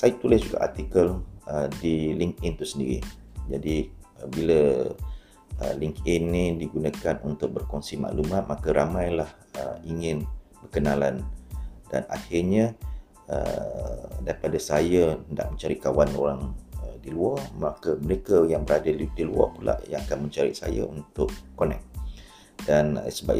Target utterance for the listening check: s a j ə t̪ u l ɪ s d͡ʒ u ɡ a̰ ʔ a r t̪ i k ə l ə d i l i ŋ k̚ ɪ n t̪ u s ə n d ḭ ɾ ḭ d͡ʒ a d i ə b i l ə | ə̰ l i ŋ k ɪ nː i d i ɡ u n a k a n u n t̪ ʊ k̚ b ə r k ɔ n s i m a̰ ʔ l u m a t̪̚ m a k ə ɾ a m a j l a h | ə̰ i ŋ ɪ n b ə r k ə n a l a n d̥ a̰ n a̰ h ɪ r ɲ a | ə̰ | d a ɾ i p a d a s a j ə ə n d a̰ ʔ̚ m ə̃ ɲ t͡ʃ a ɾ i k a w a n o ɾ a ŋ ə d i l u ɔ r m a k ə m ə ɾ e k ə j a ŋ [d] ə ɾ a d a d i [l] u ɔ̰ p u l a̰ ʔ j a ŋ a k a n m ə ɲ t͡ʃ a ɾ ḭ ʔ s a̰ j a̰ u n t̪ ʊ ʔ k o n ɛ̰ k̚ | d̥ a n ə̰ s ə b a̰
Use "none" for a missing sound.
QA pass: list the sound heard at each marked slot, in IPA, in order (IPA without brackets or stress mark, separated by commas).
b, l